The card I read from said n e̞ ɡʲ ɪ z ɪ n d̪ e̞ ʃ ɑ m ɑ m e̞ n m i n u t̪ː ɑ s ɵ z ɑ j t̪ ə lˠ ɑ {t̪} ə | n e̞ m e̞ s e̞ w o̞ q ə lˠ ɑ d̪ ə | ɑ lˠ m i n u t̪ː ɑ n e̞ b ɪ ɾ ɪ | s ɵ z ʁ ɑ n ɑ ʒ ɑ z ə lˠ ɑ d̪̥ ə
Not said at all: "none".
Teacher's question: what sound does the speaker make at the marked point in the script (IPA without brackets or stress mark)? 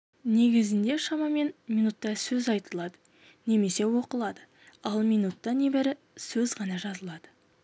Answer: d̪